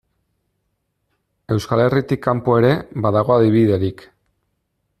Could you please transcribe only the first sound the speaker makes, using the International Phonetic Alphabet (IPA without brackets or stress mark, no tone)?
e̞